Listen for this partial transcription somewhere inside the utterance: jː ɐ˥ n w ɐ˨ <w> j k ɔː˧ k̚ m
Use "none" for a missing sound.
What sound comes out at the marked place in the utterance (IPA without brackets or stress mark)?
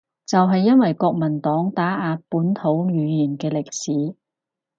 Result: none